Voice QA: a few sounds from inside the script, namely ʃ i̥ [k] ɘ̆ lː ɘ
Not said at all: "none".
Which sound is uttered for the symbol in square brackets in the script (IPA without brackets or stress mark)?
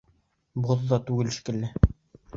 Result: k